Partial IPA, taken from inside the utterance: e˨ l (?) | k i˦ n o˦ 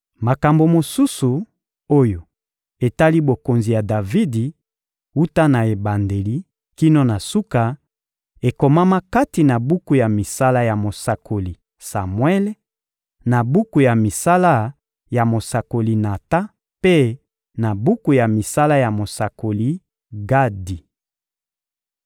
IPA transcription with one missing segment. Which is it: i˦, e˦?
i˦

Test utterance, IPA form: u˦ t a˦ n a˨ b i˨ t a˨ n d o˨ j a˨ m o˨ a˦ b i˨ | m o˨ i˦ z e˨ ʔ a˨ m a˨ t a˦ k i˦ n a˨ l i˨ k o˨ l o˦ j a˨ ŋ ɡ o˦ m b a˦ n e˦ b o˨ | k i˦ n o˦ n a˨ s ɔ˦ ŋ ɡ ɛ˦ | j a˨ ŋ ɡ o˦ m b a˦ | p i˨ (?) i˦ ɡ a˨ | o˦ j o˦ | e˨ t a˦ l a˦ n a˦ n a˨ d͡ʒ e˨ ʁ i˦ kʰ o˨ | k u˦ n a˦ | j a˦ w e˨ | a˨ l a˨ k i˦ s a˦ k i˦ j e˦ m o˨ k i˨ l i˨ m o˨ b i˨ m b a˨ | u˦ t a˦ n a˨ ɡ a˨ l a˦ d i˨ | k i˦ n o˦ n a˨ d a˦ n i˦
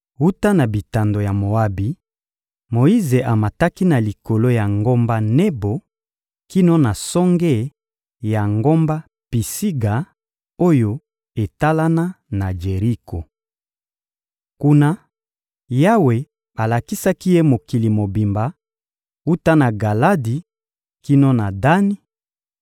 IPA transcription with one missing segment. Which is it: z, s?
s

